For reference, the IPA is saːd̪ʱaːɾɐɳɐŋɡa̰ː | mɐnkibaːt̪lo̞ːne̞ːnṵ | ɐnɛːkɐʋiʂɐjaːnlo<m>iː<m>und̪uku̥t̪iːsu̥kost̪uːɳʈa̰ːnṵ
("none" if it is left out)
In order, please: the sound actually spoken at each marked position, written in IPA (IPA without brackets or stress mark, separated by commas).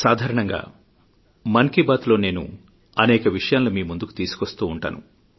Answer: m, m